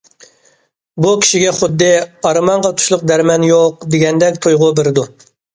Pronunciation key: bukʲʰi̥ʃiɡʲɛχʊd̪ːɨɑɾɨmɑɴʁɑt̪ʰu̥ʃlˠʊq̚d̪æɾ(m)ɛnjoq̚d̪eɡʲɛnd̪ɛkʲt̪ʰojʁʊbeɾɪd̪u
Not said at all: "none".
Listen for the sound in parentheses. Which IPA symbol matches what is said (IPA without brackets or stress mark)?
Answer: m